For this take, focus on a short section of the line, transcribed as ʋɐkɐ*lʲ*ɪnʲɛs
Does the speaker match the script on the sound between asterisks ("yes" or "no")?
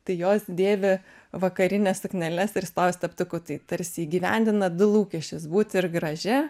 no